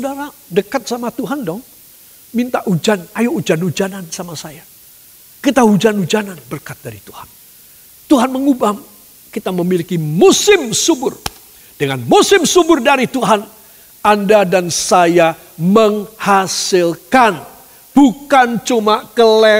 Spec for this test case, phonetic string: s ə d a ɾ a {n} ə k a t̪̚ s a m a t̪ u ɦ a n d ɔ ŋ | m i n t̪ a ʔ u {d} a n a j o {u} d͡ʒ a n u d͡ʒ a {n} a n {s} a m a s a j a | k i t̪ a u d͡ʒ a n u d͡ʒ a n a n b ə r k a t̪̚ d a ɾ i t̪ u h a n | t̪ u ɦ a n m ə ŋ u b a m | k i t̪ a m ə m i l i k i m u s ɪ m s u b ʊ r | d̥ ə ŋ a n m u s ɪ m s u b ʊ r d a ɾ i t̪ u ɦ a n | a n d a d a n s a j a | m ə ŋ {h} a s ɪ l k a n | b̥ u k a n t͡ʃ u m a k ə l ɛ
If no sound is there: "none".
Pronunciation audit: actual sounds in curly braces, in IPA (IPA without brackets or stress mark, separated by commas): d, d͡ʒ, u, n, s, h